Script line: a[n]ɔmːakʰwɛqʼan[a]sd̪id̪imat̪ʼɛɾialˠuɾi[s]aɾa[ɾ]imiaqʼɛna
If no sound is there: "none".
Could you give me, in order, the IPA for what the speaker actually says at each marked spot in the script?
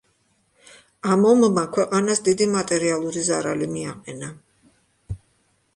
m, a, z, l

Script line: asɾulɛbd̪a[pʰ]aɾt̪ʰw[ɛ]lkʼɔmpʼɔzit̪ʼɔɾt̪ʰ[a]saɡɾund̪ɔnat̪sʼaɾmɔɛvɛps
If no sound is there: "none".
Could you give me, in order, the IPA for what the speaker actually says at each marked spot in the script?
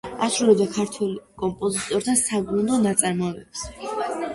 kʰ, ɛ, a

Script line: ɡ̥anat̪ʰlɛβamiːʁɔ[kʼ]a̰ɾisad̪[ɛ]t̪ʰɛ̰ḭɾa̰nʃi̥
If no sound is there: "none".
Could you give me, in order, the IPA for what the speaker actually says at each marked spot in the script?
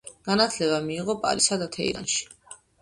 pʼ, a

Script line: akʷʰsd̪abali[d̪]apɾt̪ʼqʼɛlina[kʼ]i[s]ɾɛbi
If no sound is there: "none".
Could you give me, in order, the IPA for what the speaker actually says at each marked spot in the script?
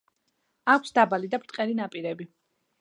d̪, pʼ, none

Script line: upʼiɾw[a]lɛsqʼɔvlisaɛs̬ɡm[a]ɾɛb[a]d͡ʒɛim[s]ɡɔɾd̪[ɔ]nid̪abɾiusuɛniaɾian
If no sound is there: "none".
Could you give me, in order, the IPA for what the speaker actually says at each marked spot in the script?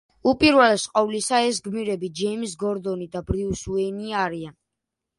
ɛ, i, i, s, ɔ

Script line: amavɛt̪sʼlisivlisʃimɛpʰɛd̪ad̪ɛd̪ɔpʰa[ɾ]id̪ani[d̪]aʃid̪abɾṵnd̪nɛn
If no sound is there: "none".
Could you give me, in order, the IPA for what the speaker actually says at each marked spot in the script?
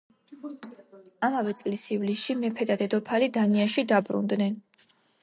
l, none

